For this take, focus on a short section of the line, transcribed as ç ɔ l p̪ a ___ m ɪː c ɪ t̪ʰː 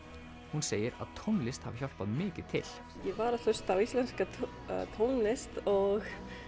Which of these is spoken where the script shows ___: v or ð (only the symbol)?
ð